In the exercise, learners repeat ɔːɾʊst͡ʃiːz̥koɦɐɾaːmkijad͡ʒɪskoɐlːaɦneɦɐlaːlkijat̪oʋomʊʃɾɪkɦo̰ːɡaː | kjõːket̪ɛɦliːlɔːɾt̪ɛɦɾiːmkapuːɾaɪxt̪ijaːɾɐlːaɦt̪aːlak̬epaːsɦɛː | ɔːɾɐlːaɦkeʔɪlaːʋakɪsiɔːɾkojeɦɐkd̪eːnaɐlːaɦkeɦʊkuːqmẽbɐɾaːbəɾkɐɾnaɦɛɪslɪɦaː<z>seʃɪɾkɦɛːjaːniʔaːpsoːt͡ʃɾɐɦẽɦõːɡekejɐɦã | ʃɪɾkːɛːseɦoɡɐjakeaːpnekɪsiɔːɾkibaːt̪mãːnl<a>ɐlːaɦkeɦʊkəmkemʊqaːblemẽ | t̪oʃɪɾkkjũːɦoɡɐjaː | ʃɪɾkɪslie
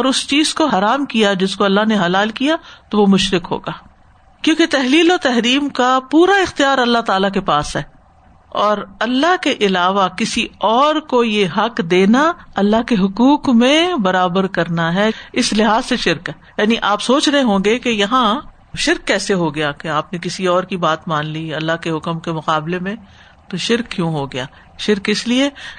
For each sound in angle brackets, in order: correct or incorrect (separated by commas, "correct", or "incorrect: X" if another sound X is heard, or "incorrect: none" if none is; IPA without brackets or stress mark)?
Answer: correct, incorrect: i